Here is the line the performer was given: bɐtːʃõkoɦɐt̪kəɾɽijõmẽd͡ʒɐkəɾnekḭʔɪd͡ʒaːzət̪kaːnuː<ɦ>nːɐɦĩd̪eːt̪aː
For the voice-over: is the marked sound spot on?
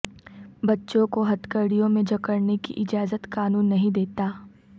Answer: no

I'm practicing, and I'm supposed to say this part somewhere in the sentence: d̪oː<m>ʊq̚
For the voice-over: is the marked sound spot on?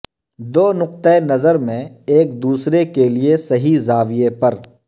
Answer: no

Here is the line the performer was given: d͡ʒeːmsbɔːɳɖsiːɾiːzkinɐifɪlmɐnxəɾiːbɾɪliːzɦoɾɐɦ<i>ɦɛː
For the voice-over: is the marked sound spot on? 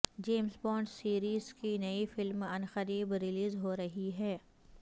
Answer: yes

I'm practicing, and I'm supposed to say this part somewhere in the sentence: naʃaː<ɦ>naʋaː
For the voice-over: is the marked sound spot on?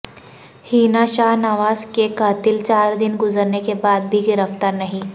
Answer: yes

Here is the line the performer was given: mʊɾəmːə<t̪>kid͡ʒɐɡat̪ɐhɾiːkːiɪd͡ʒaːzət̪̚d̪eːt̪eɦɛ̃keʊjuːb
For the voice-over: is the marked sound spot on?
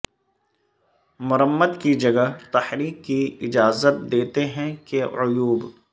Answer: no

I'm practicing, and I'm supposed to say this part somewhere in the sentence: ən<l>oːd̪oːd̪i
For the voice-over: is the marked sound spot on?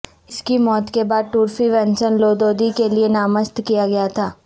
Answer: yes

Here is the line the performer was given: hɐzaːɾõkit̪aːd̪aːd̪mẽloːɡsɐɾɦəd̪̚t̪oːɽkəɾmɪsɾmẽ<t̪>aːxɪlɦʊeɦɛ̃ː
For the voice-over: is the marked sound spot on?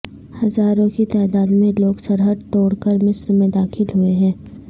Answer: no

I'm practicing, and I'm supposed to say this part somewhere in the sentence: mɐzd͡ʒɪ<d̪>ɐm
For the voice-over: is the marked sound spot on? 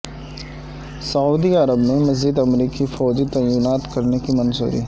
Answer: yes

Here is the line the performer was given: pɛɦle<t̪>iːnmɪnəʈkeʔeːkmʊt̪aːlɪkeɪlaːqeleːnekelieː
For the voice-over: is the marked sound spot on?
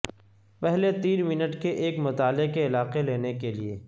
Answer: yes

